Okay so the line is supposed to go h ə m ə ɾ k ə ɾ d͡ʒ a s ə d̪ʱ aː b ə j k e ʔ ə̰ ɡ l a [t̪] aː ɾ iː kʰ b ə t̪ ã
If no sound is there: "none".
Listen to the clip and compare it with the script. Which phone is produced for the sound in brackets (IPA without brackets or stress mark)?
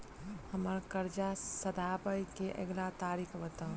t̪